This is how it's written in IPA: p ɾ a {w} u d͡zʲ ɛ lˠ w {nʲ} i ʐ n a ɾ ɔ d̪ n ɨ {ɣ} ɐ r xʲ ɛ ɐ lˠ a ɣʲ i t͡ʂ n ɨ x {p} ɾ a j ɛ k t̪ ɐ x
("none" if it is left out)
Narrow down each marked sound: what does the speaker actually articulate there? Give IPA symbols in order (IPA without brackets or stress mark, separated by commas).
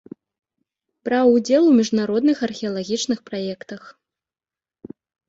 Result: w, mʲ, x, p